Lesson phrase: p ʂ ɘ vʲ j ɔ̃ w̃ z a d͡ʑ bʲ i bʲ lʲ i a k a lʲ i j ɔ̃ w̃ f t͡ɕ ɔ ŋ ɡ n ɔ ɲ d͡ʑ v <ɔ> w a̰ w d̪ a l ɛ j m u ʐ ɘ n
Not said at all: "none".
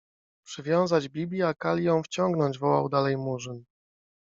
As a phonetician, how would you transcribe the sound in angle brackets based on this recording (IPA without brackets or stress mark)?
ɔ